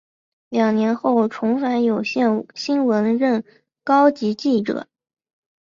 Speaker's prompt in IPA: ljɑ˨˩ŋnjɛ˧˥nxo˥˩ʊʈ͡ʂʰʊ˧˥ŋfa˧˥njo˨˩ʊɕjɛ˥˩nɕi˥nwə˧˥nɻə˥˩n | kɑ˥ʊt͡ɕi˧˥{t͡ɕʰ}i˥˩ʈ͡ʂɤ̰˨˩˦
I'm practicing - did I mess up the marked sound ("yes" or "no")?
yes